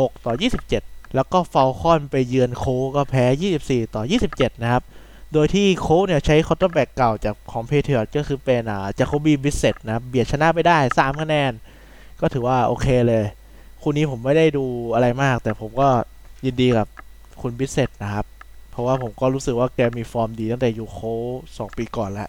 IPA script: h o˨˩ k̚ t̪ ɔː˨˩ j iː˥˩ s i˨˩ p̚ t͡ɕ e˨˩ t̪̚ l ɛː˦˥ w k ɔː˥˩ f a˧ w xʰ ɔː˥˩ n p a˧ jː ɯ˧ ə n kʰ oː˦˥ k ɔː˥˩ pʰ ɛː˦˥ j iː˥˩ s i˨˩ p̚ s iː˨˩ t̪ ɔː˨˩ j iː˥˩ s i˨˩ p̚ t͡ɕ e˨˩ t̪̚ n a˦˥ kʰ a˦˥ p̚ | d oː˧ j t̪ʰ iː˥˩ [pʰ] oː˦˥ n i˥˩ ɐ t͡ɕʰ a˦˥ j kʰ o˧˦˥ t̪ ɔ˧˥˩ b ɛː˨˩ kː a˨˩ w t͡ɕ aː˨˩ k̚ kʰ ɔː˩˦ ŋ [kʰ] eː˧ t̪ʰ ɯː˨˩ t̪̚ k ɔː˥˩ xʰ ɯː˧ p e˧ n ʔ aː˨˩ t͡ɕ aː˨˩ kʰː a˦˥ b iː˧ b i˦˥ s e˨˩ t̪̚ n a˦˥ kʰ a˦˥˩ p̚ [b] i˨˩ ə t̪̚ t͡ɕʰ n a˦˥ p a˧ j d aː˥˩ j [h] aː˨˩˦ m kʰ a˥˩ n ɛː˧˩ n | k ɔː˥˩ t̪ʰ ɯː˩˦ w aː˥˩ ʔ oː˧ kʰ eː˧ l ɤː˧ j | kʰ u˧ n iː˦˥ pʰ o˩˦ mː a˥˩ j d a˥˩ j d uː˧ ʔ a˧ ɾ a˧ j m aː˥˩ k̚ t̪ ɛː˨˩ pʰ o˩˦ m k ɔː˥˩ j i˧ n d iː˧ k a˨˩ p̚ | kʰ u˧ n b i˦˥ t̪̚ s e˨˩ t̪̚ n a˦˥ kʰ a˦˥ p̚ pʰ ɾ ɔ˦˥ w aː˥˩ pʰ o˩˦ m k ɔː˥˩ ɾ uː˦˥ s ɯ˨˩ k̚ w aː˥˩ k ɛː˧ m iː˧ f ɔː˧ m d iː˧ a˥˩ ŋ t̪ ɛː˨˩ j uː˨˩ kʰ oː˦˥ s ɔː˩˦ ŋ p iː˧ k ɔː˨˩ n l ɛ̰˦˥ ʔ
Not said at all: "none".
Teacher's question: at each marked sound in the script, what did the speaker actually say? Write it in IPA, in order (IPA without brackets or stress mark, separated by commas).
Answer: kʰ, pʰ, b, s